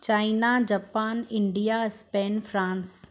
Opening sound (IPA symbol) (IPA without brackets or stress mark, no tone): t͡ɕ